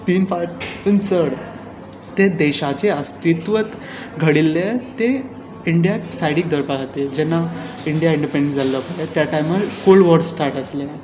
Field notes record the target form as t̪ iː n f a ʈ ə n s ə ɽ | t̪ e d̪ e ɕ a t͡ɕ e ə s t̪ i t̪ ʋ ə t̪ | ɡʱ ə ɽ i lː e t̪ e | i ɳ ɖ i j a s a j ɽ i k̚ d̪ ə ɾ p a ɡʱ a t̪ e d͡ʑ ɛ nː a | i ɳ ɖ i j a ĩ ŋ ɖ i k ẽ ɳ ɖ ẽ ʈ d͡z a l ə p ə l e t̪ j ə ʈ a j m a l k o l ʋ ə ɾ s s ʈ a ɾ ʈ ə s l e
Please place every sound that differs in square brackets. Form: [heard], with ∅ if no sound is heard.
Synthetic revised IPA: t̪ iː n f a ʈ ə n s ə ɽ | t̪ e d̪ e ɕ a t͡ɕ e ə s t̪ i t̪ ʋ ə t̪ | ɡʱ ə ɽ i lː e t̪ e | i ɳ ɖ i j a s a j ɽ i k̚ d̪ ə ɾ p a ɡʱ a t̪ e d͡ʑ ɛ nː a | i ɳ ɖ i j a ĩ [ɳ] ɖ i [p] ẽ ɳ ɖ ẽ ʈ d͡z a l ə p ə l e t̪ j [a] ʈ a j m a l k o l ʋ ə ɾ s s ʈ a ɾ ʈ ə s l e